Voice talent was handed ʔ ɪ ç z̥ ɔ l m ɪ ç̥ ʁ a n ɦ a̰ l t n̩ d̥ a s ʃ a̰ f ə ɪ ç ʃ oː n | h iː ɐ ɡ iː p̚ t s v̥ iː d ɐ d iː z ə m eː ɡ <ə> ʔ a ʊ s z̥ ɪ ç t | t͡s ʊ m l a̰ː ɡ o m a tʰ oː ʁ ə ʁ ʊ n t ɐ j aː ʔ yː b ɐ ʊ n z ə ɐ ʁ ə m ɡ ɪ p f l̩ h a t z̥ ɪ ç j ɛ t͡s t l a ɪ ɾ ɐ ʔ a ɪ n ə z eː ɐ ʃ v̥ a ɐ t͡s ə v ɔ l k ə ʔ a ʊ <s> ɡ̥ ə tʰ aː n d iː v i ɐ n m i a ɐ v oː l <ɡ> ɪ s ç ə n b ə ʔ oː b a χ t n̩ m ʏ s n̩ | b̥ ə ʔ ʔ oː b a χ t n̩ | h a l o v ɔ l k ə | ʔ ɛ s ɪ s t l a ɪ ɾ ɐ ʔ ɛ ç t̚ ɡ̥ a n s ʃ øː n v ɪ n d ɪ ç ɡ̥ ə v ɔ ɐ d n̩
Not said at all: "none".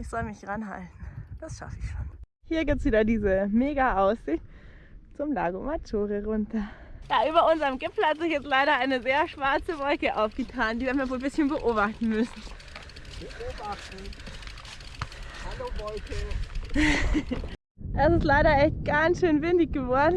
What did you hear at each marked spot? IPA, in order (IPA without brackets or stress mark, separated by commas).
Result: a, f, b